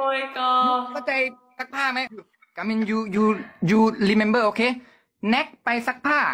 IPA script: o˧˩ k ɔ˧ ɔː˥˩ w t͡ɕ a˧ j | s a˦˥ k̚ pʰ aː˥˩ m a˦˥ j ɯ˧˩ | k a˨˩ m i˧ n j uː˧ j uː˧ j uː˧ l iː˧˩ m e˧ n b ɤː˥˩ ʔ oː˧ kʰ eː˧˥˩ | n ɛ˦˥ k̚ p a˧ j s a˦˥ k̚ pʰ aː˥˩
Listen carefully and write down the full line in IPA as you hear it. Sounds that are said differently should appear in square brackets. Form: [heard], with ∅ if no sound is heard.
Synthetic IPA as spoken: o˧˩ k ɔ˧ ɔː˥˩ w t͡ɕ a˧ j | s a˦˥ k̚ pʰ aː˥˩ m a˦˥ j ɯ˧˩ | k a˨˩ m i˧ n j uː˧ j uː˧ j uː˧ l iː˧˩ m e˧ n b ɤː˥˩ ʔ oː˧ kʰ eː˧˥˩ | n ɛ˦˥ k̚ p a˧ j s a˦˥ k̚ pʰ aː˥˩